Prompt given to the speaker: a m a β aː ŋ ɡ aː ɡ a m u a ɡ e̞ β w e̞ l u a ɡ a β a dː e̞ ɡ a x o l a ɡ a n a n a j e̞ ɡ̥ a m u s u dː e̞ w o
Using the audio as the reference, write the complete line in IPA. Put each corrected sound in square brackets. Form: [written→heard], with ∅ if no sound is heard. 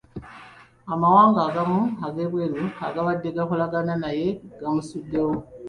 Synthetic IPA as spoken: a m a [β→w] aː ŋ ɡ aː ɡ a m u a ɡ e̞ β w e̞ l u a ɡ a β a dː e̞ ɡ a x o l a ɡ a n a n a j e̞ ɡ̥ a m u s u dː e̞ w o